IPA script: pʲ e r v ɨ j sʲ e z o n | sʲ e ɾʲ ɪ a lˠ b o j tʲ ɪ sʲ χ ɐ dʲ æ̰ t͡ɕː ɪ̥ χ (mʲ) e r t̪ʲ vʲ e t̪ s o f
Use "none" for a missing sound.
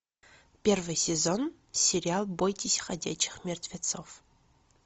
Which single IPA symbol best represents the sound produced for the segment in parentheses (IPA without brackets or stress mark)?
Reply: mʲ